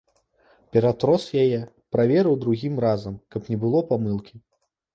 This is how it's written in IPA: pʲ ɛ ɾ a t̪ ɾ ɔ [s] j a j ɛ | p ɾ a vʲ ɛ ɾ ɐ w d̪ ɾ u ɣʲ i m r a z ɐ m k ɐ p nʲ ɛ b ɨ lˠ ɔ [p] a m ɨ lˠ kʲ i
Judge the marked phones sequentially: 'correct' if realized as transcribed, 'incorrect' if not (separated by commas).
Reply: correct, correct